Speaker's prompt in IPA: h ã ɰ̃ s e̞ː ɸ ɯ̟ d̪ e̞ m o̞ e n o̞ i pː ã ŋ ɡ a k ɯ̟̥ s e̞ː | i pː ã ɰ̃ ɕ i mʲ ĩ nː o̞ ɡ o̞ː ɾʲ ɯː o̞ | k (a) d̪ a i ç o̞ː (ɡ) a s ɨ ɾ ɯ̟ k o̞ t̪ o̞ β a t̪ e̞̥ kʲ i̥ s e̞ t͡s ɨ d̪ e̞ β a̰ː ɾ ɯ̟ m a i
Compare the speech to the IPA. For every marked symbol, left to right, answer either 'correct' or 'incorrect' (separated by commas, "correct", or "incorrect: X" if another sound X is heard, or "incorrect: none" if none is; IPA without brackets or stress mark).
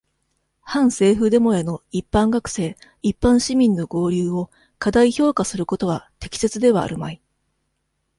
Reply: correct, incorrect: k